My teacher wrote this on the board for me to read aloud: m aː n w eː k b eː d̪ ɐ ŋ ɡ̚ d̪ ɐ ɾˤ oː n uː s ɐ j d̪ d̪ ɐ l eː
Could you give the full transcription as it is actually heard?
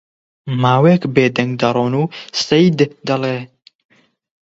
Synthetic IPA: m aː w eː k b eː d̪ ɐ ŋ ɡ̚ d̪ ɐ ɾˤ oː n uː s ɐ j d̪ d̪ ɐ l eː